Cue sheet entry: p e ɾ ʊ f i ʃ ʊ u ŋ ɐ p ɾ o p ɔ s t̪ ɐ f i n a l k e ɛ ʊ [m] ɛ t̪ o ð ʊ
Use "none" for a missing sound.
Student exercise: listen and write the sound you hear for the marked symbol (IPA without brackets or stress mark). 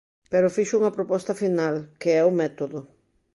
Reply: m